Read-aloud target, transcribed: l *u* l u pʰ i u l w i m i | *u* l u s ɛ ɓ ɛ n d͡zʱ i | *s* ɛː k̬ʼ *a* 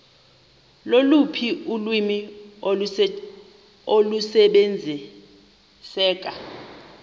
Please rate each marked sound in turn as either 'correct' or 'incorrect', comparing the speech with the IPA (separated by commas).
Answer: incorrect, incorrect, correct, correct